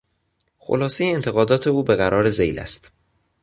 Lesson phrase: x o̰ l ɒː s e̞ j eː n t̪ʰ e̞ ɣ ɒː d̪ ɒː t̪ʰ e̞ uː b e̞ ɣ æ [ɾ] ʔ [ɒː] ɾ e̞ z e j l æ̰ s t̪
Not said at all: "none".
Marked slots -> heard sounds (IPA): ɾ, ɒː

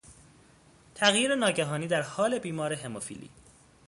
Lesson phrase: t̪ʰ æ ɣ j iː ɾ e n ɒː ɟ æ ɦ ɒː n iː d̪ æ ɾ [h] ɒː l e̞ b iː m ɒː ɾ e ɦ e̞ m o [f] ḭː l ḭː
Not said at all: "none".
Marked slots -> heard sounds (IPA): h, f

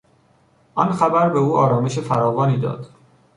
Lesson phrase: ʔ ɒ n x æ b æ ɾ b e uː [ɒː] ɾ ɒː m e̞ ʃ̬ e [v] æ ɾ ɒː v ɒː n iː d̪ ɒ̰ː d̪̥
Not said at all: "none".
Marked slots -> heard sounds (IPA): ɒː, f

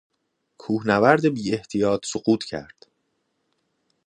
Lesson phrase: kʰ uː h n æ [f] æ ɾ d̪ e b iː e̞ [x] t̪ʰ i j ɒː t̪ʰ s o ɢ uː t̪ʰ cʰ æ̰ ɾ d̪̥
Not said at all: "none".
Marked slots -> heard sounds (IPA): v, h

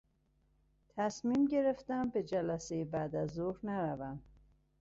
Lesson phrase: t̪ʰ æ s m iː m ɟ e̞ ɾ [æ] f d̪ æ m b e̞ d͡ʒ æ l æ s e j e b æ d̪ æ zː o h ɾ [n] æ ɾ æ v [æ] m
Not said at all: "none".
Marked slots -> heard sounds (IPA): e, n, æ

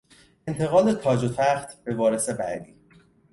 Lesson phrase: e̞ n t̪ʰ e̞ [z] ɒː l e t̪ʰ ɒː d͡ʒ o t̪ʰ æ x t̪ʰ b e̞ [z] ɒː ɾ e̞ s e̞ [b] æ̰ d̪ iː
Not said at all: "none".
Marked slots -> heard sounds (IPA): ɣ, v, b

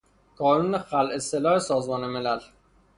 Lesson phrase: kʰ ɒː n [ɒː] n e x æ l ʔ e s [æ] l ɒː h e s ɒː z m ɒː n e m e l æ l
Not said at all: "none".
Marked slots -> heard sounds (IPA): uː, e

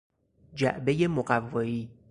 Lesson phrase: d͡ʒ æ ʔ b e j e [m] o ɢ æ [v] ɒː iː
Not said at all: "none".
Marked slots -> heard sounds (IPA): m, vː

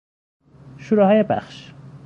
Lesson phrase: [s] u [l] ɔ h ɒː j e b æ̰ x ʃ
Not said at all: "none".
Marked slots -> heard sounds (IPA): ʃ, ɾ

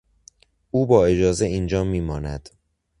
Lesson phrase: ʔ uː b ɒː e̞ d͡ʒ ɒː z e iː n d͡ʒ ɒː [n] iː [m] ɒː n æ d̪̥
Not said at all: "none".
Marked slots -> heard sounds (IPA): m, m

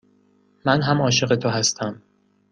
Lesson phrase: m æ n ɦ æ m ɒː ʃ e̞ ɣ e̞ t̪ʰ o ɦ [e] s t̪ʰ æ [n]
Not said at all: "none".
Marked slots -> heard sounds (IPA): æ, m

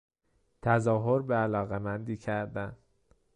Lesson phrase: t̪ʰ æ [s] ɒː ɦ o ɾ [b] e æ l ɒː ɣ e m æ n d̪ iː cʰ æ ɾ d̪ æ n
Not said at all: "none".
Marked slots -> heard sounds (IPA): z, b

